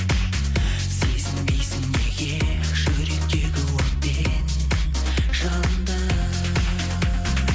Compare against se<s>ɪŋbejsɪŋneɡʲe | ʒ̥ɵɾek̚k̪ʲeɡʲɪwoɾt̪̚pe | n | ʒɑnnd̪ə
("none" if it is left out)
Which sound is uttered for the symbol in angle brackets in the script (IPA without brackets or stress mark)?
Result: z